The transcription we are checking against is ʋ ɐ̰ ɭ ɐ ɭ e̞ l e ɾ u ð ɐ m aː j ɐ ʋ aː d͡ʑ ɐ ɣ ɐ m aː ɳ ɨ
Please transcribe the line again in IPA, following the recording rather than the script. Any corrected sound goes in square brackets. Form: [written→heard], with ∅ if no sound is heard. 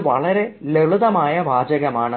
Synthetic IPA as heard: ʋ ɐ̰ ɭ ɐ [ɭ→ɾ] e̞ l e [ɾ→ɭ] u ð ɐ m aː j ɐ ʋ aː d͡ʑ ɐ ɣ ɐ m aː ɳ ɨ